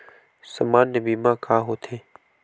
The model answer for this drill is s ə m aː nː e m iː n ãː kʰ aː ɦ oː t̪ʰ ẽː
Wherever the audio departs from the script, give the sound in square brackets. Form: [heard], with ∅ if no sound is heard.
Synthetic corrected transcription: s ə m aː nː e [b] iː [m] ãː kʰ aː ɦ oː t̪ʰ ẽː